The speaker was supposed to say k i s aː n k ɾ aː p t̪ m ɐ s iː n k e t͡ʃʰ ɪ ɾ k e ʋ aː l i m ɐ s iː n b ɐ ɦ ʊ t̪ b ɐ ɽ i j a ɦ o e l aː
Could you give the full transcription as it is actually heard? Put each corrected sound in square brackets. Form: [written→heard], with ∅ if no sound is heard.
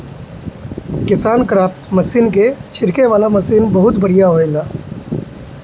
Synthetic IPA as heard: k [i→ɪ] s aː n k ɾ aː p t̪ m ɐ s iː n k e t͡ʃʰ ɪ ɾ k e ʋ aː l [i→a] m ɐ s iː n b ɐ ɦ ʊ t̪ b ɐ ɽ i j a ɦ o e l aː